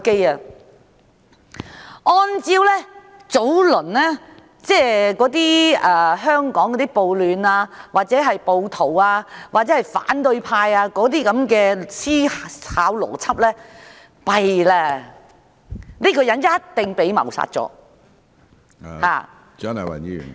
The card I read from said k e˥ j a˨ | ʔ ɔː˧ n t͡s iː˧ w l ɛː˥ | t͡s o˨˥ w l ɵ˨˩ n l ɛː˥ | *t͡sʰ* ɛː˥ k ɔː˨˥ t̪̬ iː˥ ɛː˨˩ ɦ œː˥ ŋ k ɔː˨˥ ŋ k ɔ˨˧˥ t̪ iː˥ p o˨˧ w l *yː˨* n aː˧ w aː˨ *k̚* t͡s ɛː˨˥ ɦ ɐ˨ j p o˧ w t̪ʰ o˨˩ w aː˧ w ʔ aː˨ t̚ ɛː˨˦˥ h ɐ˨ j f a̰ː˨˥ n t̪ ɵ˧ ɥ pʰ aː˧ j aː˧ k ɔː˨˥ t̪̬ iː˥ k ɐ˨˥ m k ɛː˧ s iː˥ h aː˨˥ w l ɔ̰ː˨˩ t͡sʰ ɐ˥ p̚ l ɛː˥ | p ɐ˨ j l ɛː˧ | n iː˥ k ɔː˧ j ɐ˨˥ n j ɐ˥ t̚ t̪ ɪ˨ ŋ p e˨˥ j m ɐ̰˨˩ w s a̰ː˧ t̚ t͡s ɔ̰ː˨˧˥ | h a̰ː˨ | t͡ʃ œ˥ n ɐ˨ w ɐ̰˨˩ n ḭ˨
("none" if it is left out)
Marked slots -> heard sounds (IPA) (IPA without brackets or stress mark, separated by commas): t͡s, yː˨, t̚